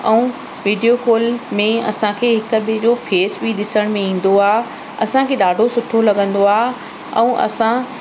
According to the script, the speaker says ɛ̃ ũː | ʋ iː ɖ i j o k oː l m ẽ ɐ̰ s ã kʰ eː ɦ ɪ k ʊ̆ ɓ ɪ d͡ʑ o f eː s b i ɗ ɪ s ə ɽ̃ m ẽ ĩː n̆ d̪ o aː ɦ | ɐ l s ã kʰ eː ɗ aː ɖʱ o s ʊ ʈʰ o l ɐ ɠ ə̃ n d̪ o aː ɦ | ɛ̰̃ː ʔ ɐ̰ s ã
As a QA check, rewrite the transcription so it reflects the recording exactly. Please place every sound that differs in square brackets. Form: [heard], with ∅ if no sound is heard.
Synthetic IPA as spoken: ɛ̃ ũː | ʋ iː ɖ i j o k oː l m ẽ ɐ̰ s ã kʰ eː ɦ ɪ k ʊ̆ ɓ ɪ d͡ʑ o f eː s b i ɗ ɪ s ə ɽ̃ m ẽ ĩː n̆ d̪ o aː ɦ | ɐ [∅] s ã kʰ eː ɗ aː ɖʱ o s ʊ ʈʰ o l ɐ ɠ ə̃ n d̪ o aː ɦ | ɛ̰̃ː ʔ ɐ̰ s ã